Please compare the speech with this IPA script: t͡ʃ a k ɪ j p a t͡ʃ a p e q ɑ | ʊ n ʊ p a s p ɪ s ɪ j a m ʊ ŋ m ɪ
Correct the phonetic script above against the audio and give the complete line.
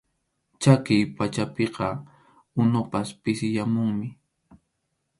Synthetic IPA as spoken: t͡ʃ a k ɪ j p a t͡ʃ a p e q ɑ | ʊ n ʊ p a s p ɪ s ɪ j a m ʊ ŋ m ɪ